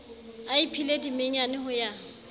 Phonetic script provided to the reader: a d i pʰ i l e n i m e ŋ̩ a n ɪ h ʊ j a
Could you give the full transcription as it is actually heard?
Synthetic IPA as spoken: a i pʰ i l e d i m e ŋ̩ a n ɪ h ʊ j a